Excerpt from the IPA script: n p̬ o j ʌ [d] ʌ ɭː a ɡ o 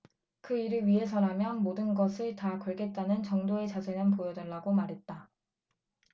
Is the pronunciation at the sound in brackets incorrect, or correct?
correct